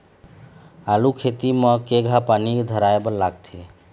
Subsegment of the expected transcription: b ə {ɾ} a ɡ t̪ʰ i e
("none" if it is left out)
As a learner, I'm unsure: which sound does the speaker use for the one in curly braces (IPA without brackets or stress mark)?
l